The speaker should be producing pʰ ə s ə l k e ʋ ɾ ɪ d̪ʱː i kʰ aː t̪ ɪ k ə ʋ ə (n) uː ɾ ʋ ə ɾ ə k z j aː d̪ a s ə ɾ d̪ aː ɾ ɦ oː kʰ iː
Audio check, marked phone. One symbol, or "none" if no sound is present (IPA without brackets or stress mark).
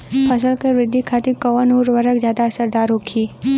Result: n